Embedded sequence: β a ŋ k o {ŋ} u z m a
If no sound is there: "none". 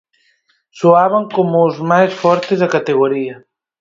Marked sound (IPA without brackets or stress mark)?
m